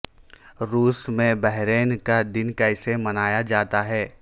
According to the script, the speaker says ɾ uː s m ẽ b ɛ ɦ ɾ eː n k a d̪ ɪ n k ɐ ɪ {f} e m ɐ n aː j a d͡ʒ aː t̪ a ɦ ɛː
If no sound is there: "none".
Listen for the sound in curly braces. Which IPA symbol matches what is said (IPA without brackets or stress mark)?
s